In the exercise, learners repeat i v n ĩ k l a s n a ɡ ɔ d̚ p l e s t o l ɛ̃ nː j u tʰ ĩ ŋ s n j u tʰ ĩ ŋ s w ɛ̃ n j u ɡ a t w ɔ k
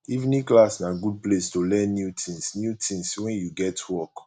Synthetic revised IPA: i v n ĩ k l a s n a ɡ u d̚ p l e s t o l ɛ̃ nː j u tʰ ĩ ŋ s n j u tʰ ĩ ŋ s w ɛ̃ n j u ɡ ɛ t w ɔ k